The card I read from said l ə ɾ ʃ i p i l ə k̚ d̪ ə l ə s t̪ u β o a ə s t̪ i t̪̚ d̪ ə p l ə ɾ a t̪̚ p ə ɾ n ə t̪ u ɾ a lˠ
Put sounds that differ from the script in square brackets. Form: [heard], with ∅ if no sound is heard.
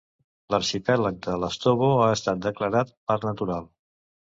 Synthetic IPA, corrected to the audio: l ə ɾ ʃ i p [ɛ] l ə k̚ d̪ ə l ə s t̪ [o] β o a ə s t̪ [a] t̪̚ d̪ ə [k] l ə ɾ a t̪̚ p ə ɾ n ə t̪ u ɾ a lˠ